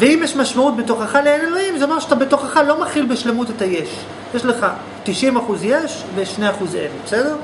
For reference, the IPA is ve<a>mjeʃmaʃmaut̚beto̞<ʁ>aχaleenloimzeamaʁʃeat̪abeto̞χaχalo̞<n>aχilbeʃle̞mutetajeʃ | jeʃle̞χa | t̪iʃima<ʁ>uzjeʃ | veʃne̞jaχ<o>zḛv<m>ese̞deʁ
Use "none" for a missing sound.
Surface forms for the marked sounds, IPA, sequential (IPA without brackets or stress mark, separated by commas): i, χ, m, χ, u, b